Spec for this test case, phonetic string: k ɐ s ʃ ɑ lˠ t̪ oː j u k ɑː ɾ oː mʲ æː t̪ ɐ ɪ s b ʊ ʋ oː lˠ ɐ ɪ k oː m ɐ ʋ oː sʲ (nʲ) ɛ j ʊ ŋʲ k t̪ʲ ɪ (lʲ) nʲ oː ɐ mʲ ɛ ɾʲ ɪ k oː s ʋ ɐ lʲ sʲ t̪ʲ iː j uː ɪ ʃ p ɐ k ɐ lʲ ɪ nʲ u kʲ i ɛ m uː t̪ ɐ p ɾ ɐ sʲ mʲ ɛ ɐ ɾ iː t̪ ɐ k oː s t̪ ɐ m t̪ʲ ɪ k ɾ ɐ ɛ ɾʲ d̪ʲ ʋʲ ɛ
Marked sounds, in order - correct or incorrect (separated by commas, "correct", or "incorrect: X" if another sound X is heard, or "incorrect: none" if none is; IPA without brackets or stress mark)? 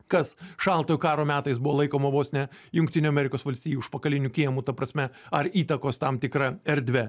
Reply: correct, incorrect: none